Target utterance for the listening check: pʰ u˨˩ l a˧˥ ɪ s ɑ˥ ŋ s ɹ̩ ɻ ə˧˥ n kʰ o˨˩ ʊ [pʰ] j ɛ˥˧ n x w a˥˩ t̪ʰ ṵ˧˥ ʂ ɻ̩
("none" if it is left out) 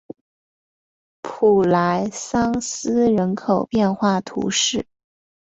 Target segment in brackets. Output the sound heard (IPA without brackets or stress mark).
p